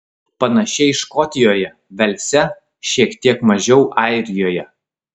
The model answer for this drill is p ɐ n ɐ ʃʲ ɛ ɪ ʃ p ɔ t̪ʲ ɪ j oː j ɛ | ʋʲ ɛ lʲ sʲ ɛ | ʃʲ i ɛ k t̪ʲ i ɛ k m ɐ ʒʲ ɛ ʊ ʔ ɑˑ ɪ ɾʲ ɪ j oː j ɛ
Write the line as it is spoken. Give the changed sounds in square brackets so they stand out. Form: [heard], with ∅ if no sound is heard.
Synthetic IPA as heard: p ɐ n ɐ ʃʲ ɛ ɪ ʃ [k] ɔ t̪ʲ ɪ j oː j ɛ | ʋʲ ɛ lʲ sʲ ɛ | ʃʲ i ɛ k t̪ʲ i ɛ k m ɐ ʒʲ ɛ ʊ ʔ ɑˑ ɪ ɾʲ ɪ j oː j ɛ